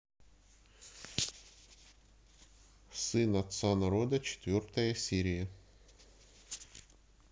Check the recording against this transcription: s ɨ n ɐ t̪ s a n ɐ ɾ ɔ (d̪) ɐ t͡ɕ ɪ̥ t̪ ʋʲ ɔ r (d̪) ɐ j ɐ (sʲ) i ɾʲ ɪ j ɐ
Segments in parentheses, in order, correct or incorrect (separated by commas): correct, incorrect, correct